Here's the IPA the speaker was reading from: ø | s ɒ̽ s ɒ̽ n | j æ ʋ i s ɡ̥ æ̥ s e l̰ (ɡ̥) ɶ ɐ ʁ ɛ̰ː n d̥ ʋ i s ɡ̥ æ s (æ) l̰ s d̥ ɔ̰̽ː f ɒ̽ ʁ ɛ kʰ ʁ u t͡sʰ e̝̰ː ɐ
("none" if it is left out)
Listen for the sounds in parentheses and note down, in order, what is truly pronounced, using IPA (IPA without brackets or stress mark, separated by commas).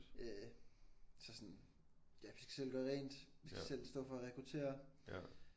ɡ̥, e